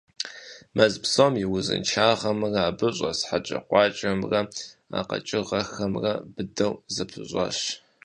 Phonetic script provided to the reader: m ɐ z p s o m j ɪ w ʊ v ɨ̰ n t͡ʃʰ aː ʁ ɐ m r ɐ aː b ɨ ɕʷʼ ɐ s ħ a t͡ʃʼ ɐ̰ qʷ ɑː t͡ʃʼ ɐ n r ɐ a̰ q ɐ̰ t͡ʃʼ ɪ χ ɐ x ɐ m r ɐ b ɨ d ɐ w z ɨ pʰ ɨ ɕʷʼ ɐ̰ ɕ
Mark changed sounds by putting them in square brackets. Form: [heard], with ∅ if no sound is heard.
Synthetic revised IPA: m ɐ z p s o m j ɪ w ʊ [z] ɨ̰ n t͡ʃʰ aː ʁ ɐ m r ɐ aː b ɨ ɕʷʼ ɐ s ħ a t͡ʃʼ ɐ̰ qʷ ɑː t͡ʃʼ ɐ [m] r ɐ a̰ q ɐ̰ t͡ʃʼ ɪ [ʁ] ɐ x ɐ m r ɐ b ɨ d ɐ w z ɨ pʰ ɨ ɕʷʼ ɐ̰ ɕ